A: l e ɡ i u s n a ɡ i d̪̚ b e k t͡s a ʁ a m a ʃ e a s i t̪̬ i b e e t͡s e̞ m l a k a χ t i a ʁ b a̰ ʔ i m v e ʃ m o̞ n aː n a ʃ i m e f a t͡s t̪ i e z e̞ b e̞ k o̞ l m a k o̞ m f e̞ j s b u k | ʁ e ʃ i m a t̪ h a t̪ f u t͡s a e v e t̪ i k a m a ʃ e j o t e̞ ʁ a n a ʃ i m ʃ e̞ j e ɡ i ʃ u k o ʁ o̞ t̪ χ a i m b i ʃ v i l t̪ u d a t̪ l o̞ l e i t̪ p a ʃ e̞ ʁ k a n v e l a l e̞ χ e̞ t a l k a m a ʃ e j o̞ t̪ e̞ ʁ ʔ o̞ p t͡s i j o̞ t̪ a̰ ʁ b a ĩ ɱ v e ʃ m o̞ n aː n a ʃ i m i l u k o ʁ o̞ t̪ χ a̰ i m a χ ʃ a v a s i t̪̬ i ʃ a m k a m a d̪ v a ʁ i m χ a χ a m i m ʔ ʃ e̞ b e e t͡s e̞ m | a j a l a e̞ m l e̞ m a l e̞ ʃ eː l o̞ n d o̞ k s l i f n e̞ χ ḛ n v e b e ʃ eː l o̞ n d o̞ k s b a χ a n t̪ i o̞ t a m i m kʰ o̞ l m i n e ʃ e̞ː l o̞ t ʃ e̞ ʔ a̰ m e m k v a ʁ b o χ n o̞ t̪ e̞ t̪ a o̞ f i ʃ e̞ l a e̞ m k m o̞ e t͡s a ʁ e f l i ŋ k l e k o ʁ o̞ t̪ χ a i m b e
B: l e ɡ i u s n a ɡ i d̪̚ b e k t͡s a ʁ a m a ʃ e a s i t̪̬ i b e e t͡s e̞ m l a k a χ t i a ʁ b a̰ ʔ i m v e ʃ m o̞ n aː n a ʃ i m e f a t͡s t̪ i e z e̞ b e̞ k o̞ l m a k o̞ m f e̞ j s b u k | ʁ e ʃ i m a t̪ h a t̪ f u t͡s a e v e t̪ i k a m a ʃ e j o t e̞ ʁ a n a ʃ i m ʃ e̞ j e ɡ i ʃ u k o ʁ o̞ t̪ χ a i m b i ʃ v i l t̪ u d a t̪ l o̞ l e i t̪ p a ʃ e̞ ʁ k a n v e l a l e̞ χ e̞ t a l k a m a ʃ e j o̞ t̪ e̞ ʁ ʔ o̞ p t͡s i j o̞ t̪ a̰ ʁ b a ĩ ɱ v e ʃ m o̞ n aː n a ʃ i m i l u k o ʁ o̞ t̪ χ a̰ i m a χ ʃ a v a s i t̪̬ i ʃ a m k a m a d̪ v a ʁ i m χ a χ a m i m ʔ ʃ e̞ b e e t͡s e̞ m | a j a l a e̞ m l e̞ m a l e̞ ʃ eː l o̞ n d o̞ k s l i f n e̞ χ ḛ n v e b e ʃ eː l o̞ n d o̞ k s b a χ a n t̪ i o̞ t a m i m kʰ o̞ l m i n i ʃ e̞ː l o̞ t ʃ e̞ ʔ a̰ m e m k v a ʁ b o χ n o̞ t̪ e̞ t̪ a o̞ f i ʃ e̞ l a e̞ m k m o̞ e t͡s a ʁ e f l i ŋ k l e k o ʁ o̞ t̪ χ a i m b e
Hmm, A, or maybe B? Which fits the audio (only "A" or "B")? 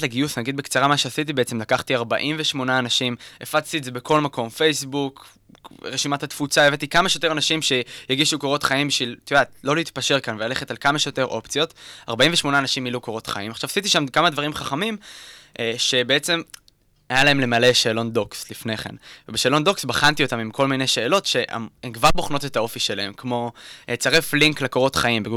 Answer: A